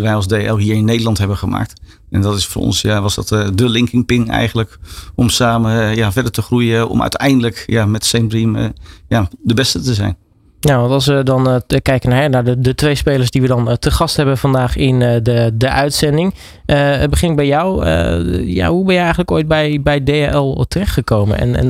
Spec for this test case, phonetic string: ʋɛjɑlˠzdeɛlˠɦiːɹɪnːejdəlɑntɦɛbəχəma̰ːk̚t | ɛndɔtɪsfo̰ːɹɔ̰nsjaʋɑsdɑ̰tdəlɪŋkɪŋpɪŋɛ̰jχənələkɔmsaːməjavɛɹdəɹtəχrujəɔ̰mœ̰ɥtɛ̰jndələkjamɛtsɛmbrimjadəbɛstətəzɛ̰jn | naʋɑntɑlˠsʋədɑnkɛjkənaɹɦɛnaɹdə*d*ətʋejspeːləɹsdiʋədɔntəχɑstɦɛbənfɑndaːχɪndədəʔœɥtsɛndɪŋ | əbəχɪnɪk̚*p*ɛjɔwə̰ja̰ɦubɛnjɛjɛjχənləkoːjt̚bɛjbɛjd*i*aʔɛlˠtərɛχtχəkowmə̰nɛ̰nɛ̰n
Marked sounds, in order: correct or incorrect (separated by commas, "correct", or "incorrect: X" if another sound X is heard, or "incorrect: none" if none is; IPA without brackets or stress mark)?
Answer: correct, incorrect: b, incorrect: e